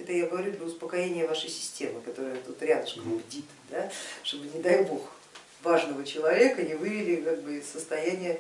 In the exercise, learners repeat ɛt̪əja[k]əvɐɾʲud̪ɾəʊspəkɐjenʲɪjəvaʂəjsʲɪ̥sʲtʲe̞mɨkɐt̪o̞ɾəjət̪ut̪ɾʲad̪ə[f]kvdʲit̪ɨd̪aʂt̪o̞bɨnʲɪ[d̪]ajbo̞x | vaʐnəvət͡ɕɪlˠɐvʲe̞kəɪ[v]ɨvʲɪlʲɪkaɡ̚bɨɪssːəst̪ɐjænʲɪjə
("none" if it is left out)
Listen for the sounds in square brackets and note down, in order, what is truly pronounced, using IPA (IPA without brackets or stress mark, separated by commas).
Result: ɡ, ʂ, d̪, v